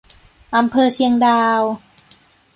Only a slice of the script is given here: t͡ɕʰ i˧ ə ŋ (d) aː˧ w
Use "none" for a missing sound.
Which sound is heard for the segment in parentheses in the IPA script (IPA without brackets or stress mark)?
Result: d